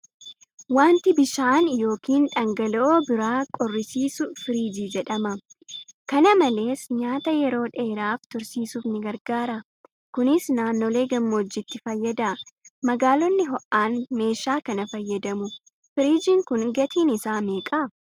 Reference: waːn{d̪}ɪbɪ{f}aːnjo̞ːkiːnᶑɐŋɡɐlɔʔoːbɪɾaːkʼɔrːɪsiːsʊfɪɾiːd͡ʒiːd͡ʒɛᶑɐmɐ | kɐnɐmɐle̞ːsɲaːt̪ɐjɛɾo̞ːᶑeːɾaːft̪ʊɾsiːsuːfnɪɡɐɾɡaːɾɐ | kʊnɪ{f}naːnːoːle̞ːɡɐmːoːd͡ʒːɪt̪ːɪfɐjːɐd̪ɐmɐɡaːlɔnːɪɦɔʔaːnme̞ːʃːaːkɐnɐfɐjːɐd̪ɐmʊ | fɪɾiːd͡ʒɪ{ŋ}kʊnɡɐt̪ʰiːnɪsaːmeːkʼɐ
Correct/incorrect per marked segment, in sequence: incorrect: t̪, incorrect: ʃ, incorrect: s, correct

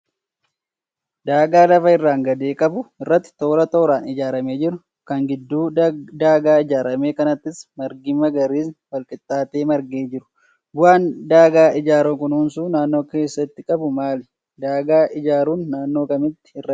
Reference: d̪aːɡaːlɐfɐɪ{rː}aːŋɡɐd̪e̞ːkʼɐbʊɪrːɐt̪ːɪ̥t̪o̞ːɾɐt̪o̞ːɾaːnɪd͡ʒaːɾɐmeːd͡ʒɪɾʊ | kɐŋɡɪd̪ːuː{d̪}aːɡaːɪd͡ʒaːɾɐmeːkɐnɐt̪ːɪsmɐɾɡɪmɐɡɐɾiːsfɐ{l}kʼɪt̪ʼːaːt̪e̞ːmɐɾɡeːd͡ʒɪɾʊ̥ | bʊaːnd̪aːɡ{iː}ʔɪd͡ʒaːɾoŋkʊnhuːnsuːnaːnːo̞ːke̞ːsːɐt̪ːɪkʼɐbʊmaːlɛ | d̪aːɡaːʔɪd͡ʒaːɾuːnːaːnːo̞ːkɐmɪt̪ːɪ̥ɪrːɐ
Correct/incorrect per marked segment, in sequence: correct, correct, correct, incorrect: aː

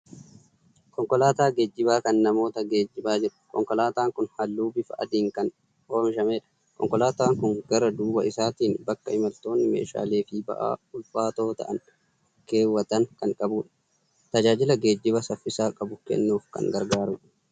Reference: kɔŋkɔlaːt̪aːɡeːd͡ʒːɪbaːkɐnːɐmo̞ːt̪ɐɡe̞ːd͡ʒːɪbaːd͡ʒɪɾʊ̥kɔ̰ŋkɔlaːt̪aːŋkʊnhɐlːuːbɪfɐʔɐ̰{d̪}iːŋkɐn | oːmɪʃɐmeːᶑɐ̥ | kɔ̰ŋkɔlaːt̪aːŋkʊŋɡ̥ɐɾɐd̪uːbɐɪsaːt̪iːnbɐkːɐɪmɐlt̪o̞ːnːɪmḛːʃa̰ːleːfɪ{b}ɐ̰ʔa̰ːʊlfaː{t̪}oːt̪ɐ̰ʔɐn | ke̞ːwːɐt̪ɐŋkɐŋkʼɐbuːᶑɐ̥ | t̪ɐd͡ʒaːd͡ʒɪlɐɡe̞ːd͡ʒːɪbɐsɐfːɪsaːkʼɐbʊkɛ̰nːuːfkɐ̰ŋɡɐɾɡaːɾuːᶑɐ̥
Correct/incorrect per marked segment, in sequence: correct, correct, correct

